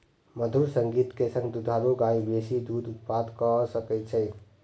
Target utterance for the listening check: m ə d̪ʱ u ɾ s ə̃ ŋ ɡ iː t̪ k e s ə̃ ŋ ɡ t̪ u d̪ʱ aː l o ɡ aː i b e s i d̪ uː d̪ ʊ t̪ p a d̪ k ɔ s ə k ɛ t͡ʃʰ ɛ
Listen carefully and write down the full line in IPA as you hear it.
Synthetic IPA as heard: m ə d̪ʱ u ɾ s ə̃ ŋ ɡ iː t̪ k e s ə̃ ŋ ɡ d̪ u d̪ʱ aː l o ɡ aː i b e s i d̪ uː d̪ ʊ t̪ p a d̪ k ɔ s ə k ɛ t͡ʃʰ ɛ